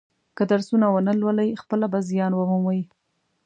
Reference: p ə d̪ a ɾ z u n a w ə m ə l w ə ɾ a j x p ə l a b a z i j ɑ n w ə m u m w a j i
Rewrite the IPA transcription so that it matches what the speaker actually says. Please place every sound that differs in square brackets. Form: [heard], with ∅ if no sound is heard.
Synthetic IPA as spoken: [k] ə d̪ a ɾ [s] u n a w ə [n] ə l w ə [l] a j x p ə l a b a z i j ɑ n w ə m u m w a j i